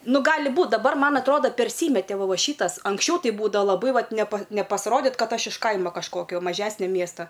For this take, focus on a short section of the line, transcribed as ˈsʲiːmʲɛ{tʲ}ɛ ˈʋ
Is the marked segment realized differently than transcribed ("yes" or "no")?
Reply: no